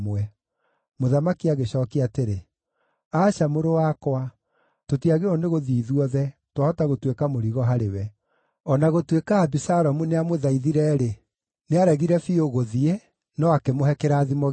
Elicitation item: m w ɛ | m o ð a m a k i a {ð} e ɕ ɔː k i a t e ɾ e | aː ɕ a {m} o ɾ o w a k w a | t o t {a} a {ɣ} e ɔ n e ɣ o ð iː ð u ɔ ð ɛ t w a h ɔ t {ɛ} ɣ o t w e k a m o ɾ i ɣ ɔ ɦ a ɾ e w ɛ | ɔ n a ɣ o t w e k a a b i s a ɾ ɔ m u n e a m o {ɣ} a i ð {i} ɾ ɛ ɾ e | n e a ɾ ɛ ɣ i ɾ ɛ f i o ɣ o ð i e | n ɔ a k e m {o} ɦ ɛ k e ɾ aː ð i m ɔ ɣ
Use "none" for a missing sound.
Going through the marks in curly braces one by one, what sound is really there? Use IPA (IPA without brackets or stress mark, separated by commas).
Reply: ɣ, m, i, ɣ, a, ð, i, o